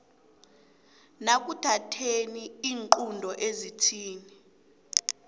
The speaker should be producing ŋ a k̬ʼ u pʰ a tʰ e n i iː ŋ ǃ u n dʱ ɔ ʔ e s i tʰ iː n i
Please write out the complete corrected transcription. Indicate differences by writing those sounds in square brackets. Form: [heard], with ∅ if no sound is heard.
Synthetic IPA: [n] a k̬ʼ u [tʰ] a tʰ e n i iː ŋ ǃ u n dʱ ɔ ʔ e [z] i tʰ iː n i